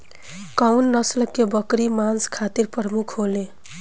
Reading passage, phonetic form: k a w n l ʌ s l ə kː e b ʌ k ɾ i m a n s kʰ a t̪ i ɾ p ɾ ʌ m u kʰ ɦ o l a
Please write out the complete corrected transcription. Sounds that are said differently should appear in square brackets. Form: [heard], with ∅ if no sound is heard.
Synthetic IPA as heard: k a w n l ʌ s l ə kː e b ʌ k ɾ i m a n s kʰ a t̪ i ɾ p ɾ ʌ m u kʰ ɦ o l [e]